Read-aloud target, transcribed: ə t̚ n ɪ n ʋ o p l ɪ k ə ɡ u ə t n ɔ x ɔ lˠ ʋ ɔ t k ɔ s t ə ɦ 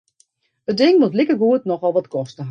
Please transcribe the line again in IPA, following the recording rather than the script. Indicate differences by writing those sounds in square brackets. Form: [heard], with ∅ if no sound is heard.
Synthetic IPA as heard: ə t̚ [d] ɪ [ŋ] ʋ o [t] l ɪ k ə ɡ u ə t n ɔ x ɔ lˠ ʋ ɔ t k ɔ s t ə ɦ